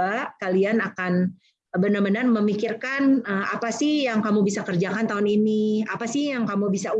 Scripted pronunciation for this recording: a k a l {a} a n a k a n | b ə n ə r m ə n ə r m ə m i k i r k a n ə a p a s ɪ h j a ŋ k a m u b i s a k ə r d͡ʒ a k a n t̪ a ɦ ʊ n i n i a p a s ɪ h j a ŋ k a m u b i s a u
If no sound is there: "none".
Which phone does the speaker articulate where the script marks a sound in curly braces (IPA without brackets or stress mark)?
i